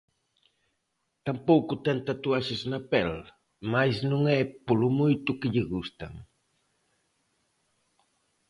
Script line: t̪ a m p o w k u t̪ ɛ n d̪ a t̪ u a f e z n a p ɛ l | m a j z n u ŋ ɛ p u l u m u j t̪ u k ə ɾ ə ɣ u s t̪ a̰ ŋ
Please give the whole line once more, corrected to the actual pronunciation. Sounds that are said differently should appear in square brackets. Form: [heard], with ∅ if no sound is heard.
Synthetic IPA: t̪ a m p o w k u t̪ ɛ n [t̪] a t̪ u a [ʃ] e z n a p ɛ l | m a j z n u ŋ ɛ p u l u m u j t̪ u k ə [ʎ] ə ɣ u s t̪ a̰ ŋ